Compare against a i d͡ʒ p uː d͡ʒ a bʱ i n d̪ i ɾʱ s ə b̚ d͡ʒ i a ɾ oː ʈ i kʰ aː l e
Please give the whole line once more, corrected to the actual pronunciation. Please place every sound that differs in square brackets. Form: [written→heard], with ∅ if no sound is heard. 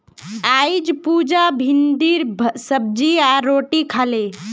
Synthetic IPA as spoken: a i d͡ʒ p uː d͡ʒ a bʱ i n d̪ i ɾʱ s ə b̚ d͡ʒ i a ɾ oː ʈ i kʰ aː l e